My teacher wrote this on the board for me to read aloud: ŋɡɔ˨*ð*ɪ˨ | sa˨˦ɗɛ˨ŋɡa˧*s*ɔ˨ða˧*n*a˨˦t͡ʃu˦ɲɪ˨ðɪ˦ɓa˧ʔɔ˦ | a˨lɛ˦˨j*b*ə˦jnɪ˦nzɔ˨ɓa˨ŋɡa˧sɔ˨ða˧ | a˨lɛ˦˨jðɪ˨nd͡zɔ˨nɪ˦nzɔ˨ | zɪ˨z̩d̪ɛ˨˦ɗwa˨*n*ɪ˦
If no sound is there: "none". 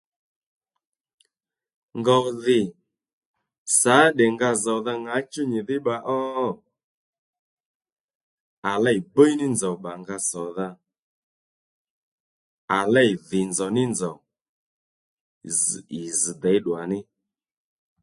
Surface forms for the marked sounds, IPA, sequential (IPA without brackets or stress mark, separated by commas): ð, z, ŋ, b, n